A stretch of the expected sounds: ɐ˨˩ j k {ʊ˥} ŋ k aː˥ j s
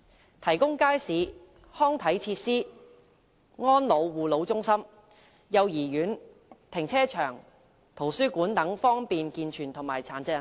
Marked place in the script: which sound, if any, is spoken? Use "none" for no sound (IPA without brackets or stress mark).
ʊ˥